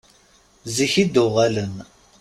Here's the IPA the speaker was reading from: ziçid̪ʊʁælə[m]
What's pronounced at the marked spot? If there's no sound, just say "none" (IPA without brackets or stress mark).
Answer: n